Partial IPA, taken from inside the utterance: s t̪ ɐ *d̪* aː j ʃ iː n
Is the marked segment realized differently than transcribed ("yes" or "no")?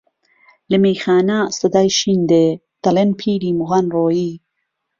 no